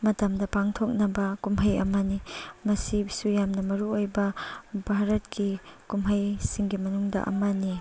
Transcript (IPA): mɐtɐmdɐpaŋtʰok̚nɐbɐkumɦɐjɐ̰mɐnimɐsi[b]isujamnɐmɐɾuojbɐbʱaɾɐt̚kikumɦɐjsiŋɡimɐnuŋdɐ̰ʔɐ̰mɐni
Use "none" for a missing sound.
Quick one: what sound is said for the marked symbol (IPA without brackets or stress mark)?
b